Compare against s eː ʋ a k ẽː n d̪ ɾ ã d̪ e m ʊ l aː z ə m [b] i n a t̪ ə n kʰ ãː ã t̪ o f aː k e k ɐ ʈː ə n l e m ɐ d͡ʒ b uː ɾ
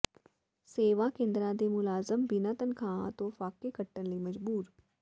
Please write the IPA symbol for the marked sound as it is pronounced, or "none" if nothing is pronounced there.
b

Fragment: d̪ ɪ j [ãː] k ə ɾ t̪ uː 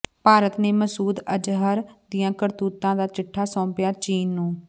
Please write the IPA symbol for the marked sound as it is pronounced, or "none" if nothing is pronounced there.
ãː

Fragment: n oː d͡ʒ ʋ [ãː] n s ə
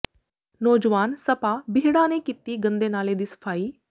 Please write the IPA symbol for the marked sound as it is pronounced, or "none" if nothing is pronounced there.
aː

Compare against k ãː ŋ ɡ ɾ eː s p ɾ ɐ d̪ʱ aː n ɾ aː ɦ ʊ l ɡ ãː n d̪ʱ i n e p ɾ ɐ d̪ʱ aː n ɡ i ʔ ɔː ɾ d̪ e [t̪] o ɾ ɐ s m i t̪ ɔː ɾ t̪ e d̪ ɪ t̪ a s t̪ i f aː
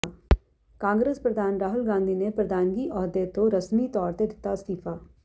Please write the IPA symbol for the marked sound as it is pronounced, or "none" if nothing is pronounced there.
t̪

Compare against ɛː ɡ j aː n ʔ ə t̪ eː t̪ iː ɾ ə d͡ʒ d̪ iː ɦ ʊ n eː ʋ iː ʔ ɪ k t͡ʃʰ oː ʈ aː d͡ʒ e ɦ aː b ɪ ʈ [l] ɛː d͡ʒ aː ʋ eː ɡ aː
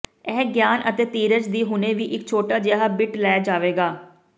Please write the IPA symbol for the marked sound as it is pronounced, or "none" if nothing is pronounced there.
l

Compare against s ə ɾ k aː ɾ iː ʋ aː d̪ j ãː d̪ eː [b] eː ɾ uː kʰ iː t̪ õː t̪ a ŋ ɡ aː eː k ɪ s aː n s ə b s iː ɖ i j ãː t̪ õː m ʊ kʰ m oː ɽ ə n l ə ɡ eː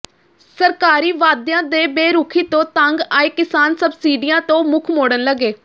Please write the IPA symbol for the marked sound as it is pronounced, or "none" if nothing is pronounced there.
b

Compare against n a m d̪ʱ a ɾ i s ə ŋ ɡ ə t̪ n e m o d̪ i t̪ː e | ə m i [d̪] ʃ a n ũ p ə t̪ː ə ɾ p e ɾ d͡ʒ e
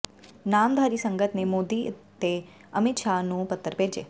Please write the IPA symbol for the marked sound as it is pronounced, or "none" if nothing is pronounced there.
t̪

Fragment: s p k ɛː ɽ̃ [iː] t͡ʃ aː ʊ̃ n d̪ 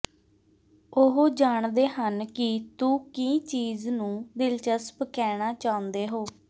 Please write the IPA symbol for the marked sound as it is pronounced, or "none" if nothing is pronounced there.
aː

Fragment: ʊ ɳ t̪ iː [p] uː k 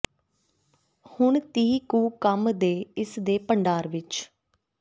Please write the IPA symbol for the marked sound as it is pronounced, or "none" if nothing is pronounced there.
k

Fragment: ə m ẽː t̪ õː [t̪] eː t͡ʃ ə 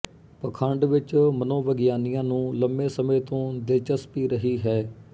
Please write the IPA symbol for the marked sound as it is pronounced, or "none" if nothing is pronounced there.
d̪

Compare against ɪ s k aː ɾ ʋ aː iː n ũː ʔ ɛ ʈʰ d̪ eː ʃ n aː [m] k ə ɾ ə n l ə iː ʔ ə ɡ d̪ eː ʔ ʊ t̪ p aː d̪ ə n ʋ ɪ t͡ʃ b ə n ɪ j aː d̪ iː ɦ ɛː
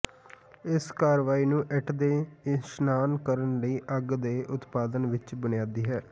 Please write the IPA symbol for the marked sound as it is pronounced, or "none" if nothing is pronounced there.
n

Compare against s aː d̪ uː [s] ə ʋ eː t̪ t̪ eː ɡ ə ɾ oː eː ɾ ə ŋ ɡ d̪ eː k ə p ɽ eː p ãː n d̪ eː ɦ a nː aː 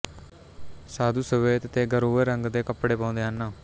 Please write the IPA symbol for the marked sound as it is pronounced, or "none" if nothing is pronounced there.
s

